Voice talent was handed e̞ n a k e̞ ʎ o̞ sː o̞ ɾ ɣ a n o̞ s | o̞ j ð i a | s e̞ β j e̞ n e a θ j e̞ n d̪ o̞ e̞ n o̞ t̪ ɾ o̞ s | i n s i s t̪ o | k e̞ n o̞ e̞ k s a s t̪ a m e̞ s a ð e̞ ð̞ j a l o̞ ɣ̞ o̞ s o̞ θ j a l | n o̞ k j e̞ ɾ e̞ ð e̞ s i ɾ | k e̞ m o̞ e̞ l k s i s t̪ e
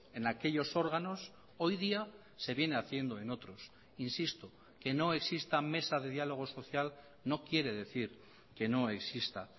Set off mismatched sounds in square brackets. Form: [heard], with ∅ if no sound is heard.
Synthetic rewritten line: e̞ n a k e̞ ʎ o̞ [s] o̞ ɾ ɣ a n o̞ s | o̞ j ð i a | s e̞ β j e̞ n e a θ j e̞ n d̪ o̞ e̞ n o̞ t̪ ɾ o̞ s | i n s i s t̪ o | k e̞ n o̞ e̞ k s [i] s t̪ a m e̞ s a ð e̞ ð̞ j a l o̞ ɣ̞ o̞ s o̞ θ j a l | n o̞ k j e̞ ɾ e̞ ð e̞ [θ] i ɾ | k e̞ [n] o̞ e̞ [∅] k s i s t̪ [a]